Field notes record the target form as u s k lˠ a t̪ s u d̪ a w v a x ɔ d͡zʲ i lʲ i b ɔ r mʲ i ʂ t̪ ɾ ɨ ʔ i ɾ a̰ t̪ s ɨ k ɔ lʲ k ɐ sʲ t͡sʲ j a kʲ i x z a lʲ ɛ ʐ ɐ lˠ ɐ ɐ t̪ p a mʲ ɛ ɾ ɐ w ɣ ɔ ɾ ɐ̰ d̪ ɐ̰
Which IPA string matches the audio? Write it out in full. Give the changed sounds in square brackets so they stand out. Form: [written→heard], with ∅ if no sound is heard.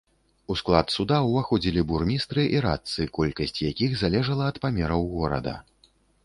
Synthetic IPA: u s k lˠ a t̪ s u d̪ a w v a x ɔ d͡zʲ i lʲ i b [ɔ→u] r mʲ i [ʂ→s] t̪ ɾ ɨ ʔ i ɾ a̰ t̪ s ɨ k ɔ lʲ k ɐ sʲ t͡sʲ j a kʲ i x z a lʲ ɛ ʐ ɐ lˠ ɐ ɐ t̪ p a mʲ ɛ ɾ ɐ w ɣ ɔ ɾ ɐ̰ d̪ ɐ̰